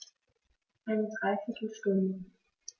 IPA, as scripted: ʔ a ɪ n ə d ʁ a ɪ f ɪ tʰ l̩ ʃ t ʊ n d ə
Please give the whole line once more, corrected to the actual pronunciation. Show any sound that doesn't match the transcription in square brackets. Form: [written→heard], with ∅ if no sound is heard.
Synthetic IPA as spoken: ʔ a ɪ n ə d ʁ a ɪ f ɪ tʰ l̩ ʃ t ʊ n d ə